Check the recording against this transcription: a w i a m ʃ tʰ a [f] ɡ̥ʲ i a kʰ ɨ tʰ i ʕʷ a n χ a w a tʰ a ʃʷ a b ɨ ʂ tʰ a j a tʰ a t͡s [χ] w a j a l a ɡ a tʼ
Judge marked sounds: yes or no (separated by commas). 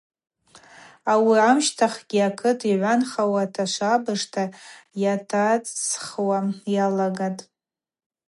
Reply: no, yes